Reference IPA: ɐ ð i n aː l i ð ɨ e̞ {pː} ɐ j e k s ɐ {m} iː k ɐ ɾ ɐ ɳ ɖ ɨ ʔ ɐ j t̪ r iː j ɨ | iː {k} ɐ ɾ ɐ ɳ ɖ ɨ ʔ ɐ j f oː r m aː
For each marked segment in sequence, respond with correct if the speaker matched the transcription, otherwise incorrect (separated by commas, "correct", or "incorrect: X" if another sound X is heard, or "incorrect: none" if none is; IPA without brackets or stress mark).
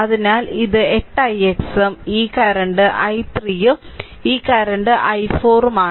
incorrect: ʈː, correct, correct